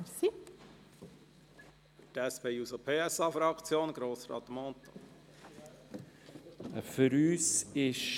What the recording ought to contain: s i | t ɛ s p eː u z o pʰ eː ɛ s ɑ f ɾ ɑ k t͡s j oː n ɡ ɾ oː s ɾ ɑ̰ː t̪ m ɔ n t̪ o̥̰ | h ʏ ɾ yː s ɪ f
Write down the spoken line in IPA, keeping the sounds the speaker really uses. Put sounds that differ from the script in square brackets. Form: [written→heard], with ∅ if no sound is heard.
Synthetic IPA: s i | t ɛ s p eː u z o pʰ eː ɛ s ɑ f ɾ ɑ k t͡s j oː n ɡ ɾ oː s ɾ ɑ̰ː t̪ m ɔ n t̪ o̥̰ | [h→f] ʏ ɾ yː s ɪ [f→ʃ]